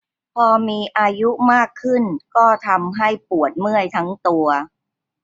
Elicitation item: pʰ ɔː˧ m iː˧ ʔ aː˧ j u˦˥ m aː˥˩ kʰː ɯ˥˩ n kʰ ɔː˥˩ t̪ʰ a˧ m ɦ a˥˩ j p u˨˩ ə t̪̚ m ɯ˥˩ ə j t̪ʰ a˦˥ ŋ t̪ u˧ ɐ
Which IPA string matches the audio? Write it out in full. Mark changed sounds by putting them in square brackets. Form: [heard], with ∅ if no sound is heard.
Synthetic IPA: pʰ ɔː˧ m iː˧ ʔ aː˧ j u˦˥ m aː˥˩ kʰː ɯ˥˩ n [k] ɔː˥˩ t̪ʰ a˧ m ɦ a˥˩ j p u˨˩ ə t̪̚ m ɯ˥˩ ə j t̪ʰ a˦˥ ŋ t̪ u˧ ɐ